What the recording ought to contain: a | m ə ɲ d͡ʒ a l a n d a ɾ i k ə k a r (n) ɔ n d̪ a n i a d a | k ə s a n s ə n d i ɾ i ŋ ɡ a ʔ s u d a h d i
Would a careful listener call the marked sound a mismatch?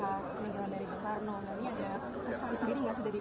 no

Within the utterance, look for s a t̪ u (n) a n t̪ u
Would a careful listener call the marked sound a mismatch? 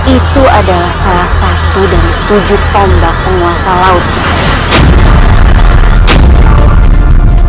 yes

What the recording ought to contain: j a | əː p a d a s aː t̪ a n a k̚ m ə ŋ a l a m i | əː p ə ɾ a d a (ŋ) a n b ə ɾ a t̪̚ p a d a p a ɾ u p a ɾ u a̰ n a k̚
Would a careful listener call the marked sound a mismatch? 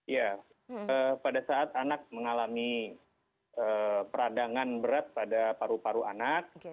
no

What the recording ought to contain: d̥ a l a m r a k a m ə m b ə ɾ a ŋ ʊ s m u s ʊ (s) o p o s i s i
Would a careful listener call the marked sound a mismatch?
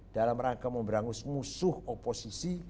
yes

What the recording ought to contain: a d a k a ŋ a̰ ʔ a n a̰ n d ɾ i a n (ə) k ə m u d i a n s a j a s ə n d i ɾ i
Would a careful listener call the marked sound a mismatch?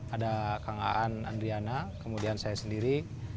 yes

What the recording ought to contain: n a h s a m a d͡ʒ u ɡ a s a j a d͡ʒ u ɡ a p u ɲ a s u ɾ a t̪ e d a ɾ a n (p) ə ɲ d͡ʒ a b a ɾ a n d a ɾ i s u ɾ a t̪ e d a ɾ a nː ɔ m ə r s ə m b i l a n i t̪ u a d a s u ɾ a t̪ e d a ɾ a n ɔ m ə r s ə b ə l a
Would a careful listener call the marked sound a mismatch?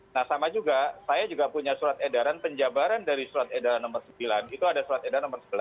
no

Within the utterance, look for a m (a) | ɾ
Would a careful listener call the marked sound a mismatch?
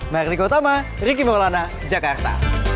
no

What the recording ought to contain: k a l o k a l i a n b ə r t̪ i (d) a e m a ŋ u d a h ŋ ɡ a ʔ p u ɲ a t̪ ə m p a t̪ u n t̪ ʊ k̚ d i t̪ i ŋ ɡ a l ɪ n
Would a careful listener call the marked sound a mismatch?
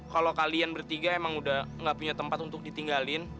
yes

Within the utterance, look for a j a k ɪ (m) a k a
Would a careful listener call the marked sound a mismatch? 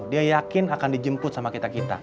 yes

